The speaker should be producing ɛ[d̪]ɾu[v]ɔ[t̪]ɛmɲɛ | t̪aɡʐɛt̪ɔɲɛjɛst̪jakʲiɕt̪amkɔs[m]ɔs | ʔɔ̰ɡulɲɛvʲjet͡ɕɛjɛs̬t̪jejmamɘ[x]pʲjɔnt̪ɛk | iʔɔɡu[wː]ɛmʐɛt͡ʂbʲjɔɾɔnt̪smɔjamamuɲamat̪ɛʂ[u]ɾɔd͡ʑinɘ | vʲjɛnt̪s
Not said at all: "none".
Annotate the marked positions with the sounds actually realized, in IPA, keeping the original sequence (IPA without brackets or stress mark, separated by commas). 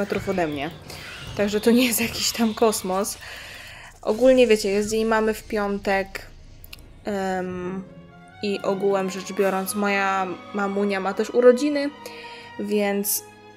t̪, f, d̪, m, f, w, u